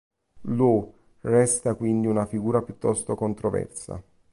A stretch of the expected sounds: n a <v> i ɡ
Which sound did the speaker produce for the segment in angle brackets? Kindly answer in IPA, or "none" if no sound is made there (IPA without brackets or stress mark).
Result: f